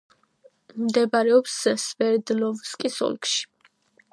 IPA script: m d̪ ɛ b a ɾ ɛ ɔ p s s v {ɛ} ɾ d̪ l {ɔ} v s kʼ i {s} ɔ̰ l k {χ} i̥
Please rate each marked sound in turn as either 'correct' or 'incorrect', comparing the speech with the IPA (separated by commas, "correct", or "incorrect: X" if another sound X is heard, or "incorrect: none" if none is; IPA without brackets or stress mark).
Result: correct, correct, correct, incorrect: ʃ